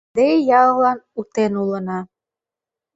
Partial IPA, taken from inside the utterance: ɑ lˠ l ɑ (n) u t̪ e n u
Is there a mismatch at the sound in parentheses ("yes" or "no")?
no